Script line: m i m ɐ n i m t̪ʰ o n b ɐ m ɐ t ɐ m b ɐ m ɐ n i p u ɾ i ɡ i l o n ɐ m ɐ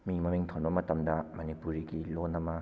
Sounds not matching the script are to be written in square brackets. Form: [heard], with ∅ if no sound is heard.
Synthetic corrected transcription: m i m ɐ [m] i [ŋ] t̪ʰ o n b ɐ m ɐ t ɐ m [d] ɐ m ɐ n i p u ɾ i ɡ i l o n ɐ m ɐ